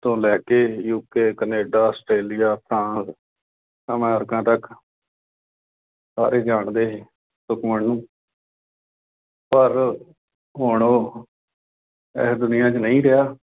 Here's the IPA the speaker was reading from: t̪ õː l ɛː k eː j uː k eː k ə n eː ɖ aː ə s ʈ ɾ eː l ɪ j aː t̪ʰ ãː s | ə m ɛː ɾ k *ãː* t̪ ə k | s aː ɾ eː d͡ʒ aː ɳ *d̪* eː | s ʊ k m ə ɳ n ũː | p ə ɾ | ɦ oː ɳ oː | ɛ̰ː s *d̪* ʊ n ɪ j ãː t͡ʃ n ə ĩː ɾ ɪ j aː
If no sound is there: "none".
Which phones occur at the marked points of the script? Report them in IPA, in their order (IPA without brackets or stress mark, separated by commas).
ãː, d̪, d̪